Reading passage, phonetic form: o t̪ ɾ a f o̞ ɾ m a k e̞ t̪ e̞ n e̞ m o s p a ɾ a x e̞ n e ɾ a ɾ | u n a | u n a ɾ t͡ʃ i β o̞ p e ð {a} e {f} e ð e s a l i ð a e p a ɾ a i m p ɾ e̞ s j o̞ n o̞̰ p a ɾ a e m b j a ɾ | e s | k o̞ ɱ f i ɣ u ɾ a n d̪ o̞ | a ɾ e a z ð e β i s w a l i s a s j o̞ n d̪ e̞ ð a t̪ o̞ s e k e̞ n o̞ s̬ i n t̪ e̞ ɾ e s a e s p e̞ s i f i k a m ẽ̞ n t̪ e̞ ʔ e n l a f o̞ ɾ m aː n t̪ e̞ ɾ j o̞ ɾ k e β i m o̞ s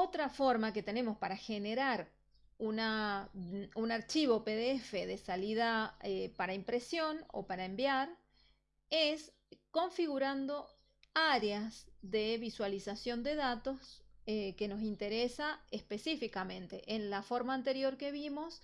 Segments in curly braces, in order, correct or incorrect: incorrect: e, correct

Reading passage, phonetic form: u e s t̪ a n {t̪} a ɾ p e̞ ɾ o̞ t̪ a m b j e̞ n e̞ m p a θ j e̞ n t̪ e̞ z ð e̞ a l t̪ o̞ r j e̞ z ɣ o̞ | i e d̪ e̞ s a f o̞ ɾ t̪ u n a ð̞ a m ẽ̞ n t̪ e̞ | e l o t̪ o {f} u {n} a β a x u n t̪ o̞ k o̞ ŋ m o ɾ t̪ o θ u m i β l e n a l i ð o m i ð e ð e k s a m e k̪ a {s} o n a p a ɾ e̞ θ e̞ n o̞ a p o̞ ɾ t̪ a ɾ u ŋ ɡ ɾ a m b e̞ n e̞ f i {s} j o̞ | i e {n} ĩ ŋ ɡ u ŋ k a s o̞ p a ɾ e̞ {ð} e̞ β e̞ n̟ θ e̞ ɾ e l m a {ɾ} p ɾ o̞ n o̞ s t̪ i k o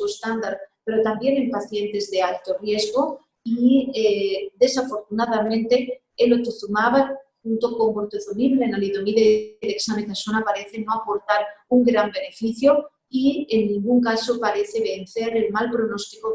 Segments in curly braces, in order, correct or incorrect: incorrect: d̪, incorrect: θ, incorrect: m, correct, incorrect: θ, incorrect: nː, incorrect: θ, incorrect: l

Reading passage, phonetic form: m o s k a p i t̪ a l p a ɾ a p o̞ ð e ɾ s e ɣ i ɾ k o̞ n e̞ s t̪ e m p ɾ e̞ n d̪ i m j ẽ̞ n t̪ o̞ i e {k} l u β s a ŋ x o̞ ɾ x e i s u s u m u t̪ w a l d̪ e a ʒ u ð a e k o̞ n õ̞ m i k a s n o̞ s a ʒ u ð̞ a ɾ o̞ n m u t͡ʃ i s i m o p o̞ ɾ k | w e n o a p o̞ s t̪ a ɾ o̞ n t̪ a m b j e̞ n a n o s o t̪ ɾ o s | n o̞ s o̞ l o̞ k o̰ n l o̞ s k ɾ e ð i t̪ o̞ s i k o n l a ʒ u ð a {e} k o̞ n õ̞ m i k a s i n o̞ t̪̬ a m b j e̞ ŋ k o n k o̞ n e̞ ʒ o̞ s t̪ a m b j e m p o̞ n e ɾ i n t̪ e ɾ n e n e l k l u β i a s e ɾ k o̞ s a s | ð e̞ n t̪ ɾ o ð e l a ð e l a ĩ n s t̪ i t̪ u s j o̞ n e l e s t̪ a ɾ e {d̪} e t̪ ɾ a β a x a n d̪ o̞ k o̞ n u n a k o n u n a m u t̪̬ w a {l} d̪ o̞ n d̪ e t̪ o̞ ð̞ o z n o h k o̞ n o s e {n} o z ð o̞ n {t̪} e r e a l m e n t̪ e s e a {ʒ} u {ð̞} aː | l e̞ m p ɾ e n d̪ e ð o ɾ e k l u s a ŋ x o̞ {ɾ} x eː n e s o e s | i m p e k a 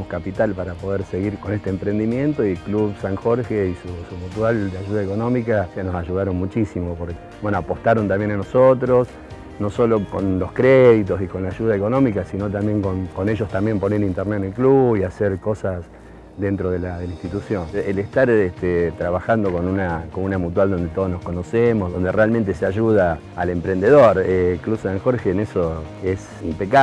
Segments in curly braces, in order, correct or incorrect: correct, correct, incorrect: t̪, correct, incorrect: m, incorrect: d̪, correct, correct, correct

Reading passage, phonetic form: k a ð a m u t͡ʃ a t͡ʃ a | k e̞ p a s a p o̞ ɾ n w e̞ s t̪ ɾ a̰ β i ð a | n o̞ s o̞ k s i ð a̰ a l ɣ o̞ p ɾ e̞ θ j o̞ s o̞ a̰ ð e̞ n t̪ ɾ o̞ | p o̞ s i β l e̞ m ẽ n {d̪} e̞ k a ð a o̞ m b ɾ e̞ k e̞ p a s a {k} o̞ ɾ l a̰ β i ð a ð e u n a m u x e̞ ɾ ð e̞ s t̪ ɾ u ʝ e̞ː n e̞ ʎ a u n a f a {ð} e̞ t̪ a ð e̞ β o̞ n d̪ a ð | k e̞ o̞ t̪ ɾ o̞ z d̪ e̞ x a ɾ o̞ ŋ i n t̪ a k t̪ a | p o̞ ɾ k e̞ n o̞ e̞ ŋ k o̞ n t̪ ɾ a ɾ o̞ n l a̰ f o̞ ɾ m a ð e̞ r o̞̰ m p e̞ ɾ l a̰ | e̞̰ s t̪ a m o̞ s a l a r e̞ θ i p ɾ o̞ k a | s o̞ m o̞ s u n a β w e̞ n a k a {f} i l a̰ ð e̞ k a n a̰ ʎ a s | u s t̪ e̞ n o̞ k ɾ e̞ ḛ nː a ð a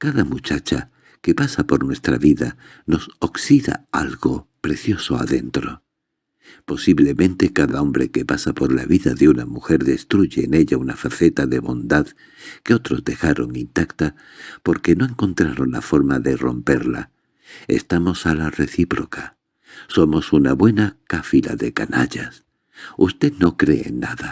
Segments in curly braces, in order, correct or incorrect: incorrect: t̪, incorrect: p, incorrect: θ, correct

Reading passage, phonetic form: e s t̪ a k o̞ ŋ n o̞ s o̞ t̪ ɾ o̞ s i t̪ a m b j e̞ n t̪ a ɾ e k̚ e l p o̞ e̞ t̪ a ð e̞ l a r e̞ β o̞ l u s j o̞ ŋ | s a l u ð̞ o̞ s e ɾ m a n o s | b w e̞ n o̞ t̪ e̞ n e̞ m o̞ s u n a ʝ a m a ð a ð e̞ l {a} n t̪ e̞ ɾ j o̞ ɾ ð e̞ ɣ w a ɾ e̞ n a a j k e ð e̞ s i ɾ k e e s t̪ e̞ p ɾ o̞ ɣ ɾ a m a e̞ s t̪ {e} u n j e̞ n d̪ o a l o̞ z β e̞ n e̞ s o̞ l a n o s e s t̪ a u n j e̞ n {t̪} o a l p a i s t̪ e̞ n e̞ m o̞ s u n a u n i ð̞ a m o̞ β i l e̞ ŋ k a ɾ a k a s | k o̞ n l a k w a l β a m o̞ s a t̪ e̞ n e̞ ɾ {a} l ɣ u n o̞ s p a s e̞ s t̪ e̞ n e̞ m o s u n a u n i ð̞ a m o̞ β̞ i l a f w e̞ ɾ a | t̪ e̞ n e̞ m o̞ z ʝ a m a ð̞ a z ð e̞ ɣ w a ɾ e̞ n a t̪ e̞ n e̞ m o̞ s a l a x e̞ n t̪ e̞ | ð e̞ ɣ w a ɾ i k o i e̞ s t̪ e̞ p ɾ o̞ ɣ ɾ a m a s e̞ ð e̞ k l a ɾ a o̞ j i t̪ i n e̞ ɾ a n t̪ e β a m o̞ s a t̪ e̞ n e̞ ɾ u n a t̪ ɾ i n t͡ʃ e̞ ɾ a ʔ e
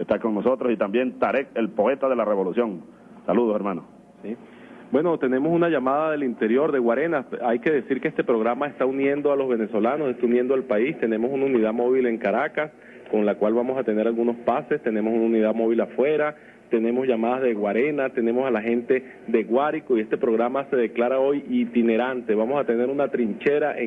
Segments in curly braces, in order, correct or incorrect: incorrect: i, incorrect: a, incorrect: d̪, correct

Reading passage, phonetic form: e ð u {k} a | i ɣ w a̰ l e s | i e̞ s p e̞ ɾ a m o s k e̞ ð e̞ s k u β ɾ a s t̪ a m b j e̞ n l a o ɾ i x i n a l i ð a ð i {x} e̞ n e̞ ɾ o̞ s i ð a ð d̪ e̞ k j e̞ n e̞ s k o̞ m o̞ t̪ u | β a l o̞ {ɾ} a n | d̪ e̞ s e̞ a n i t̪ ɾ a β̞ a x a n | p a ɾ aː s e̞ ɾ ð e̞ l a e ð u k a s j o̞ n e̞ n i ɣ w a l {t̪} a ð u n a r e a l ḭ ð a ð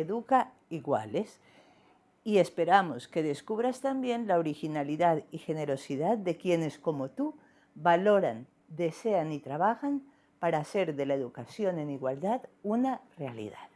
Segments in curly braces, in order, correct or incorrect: correct, correct, correct, incorrect: d̪

